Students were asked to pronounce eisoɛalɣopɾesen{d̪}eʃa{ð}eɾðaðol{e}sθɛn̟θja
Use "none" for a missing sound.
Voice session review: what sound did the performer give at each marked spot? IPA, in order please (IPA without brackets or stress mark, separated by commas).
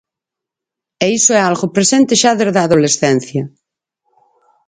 t̪, ð, e